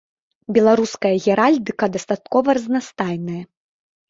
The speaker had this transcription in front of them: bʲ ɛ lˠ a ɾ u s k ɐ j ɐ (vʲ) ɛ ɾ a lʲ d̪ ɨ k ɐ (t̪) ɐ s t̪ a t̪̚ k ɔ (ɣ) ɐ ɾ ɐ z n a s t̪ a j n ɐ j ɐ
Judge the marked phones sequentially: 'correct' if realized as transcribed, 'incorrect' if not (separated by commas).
incorrect, incorrect, incorrect